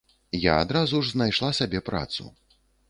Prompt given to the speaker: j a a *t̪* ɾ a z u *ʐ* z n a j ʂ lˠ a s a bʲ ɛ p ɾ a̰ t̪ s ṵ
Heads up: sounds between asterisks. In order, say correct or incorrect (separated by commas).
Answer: incorrect, correct